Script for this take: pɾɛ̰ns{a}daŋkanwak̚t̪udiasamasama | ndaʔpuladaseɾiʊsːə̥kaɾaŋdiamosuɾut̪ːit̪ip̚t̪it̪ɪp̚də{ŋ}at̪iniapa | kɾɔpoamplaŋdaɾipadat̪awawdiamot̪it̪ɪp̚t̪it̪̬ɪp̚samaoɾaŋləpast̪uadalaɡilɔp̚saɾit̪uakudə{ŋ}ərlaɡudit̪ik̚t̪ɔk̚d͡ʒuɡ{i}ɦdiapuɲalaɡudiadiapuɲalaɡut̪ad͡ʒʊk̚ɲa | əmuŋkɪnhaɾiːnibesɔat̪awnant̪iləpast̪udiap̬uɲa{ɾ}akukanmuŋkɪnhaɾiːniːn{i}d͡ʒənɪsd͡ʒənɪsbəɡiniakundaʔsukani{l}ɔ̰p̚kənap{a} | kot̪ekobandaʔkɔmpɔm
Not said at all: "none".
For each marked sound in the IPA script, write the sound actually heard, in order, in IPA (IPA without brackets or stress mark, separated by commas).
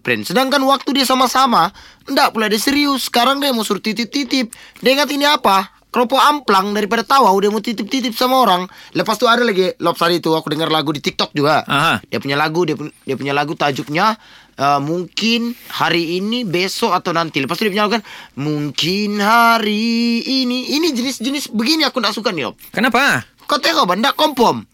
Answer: ə, ŋ, ŋ, a, l, i, l, a